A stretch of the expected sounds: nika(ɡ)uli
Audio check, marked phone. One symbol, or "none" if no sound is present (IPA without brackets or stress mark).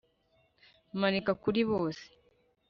k